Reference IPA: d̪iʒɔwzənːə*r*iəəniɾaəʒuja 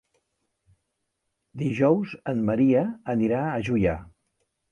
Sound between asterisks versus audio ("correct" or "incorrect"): incorrect